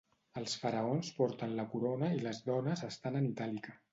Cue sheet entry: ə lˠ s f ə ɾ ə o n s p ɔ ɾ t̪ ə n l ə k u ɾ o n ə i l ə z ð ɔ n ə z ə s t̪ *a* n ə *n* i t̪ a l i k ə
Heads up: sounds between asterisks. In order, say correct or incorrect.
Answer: correct, correct

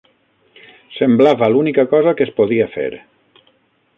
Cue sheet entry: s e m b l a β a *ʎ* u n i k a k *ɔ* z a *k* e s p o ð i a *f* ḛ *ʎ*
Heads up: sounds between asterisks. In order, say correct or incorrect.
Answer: incorrect: l, correct, correct, correct, incorrect: ɾ

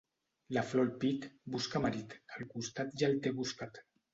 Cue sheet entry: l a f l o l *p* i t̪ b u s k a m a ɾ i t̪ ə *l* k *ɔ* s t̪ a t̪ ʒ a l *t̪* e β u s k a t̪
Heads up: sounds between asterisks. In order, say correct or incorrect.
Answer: correct, correct, incorrect: u, correct

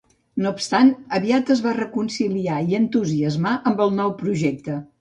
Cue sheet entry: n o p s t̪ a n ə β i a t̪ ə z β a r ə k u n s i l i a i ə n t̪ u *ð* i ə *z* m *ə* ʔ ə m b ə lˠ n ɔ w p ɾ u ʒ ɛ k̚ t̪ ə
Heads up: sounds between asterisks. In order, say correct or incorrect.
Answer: incorrect: z, correct, incorrect: a

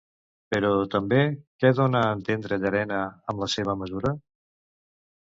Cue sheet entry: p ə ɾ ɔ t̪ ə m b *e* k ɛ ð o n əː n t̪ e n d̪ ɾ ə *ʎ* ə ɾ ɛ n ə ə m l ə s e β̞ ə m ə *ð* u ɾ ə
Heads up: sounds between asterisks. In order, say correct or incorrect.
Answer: correct, correct, incorrect: z

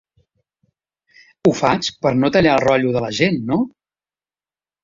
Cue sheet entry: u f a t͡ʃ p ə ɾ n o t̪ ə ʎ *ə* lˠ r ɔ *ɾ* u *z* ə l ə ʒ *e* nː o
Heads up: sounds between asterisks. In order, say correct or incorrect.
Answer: incorrect: a, incorrect: ʎ, incorrect: ð, correct

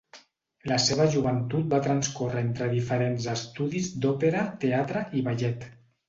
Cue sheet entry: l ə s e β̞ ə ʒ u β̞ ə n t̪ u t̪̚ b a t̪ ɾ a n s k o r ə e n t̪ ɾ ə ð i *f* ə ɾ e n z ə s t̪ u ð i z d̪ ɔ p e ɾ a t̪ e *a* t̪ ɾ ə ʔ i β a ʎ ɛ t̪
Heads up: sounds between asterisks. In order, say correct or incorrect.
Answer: correct, correct

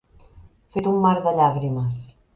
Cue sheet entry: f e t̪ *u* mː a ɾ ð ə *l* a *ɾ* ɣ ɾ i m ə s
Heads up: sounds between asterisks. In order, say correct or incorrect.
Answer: correct, incorrect: ʎ, incorrect: none

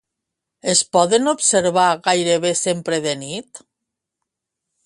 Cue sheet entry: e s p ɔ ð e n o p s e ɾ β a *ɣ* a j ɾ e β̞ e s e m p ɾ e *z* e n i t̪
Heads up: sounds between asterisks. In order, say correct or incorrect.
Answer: correct, incorrect: ð

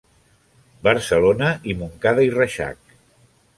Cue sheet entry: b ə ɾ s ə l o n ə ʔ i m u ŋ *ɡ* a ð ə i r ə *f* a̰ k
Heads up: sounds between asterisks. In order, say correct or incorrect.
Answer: incorrect: k, incorrect: ʃ

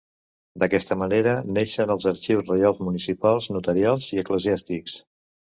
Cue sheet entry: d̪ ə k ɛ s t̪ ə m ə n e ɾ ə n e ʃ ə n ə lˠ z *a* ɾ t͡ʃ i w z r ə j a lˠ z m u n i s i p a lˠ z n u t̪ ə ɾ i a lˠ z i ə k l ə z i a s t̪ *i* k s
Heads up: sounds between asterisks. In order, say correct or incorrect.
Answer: incorrect: ə, correct

